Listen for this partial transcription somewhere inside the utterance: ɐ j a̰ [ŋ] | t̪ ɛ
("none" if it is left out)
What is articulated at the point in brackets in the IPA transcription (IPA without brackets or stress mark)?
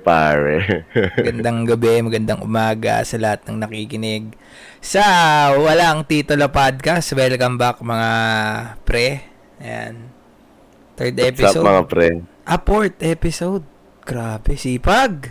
n